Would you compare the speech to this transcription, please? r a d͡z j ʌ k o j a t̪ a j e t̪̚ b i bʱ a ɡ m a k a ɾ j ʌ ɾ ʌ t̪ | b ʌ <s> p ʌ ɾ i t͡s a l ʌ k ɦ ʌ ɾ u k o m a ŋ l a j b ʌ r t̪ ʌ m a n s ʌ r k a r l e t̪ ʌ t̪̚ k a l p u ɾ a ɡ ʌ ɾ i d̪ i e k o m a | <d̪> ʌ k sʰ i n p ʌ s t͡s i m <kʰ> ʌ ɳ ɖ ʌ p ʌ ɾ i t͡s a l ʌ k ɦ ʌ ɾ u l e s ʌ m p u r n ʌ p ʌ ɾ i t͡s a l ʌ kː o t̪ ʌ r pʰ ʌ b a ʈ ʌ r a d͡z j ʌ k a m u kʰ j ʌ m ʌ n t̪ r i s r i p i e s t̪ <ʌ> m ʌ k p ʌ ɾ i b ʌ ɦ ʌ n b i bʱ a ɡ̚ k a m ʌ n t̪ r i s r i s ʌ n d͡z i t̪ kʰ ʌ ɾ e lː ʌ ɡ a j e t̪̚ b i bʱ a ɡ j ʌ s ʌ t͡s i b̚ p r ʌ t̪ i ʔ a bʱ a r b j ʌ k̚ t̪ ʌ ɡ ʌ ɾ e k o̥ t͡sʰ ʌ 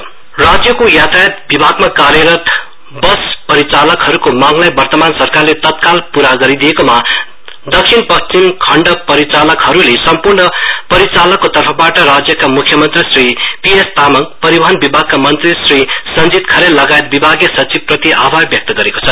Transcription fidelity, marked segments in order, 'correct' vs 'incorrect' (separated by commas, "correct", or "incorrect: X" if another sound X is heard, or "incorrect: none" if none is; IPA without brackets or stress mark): correct, correct, correct, incorrect: a